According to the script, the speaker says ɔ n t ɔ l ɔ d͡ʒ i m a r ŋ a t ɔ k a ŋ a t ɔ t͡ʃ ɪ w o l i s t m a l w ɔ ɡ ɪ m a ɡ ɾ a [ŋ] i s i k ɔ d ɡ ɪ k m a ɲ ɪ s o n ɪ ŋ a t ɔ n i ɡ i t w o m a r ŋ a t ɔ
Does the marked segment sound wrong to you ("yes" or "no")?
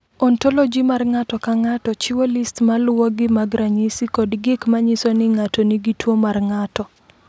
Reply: yes